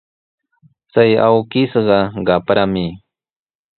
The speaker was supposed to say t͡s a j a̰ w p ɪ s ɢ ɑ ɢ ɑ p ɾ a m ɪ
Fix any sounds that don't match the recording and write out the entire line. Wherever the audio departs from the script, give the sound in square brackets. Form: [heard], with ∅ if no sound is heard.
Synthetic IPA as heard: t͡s a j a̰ w [k] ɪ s ɢ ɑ ɢ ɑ p ɾ a m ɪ